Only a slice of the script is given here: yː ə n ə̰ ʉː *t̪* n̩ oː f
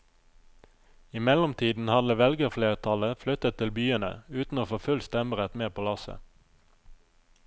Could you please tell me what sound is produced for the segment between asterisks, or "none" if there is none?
t̪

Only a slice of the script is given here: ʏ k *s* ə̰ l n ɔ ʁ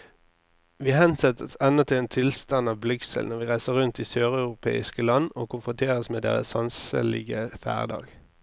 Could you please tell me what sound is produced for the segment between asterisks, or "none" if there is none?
s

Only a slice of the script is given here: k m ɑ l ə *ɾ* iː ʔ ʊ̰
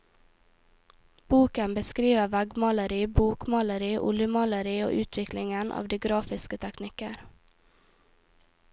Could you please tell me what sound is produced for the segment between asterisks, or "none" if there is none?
ɾ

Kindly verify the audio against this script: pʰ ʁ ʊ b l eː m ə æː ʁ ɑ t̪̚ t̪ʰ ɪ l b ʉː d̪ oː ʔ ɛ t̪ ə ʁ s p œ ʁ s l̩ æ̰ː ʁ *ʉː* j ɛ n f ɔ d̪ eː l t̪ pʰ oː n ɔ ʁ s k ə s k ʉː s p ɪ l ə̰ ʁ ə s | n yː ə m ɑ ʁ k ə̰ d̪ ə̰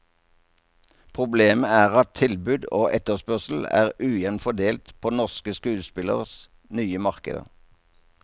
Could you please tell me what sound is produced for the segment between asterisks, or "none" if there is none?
ʉː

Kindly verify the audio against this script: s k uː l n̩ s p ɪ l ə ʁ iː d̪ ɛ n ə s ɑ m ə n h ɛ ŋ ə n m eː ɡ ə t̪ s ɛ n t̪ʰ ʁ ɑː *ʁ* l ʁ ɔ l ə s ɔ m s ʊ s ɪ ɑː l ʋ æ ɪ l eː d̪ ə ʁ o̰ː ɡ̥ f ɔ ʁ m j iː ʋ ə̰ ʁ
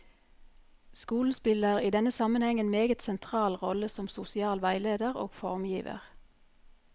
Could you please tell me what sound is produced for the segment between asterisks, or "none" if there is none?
none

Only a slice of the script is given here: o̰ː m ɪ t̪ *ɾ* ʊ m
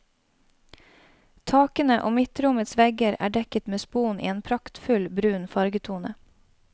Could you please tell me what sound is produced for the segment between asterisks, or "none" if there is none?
ɾ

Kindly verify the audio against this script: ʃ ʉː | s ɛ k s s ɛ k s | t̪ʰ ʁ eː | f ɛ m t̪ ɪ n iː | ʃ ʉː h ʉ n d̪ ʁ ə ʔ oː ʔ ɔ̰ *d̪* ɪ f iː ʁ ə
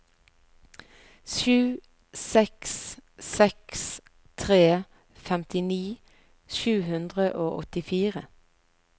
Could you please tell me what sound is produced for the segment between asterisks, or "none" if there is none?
t̪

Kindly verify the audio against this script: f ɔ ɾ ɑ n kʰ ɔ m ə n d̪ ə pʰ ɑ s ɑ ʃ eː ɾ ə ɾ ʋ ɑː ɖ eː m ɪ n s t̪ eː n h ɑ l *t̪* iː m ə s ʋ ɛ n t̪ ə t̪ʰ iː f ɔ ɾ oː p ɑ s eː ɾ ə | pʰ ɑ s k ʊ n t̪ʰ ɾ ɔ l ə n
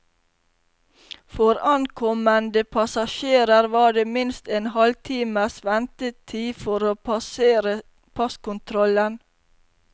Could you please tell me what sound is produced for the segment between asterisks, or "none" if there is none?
t̪ʰ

